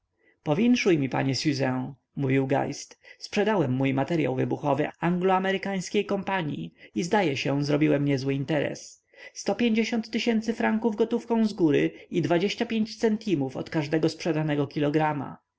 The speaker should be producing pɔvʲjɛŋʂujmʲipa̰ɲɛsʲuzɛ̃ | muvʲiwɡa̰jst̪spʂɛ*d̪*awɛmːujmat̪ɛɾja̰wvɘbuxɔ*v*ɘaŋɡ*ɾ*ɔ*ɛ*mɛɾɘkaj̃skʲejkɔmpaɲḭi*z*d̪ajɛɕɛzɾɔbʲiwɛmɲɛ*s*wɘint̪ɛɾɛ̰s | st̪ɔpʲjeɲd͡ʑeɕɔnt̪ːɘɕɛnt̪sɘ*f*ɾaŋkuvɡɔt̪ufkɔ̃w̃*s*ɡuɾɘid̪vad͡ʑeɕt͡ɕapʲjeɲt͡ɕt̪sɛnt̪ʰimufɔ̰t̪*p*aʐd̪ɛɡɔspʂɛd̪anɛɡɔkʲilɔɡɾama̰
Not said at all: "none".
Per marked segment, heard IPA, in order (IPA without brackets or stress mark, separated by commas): d̪, v, l, a, z, z, f, z, k